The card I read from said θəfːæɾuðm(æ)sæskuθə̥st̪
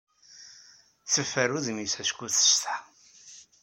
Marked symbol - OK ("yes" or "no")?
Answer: no